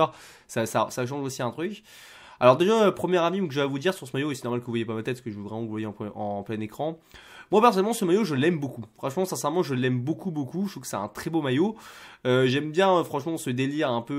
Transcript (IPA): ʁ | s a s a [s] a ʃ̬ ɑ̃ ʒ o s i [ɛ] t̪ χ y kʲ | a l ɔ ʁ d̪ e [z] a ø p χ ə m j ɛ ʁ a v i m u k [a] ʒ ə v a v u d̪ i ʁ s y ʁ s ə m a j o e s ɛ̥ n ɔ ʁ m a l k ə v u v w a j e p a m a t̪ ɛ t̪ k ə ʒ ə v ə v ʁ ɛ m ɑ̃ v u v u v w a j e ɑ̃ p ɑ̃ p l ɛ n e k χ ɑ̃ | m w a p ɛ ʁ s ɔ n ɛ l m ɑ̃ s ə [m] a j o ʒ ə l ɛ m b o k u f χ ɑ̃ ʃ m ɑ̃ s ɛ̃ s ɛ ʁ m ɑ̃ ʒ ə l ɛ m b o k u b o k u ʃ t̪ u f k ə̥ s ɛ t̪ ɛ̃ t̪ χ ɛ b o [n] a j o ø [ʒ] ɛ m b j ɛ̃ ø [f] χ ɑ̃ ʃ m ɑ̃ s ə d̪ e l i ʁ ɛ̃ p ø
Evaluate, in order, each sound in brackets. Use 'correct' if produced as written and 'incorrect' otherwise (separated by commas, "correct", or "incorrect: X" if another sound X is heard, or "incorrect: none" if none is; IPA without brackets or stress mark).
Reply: correct, incorrect: ɛ̃, incorrect: ʒ, incorrect: ə, correct, incorrect: m, correct, correct